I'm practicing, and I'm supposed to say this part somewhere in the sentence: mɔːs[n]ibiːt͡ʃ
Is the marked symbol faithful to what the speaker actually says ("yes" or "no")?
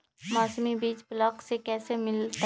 no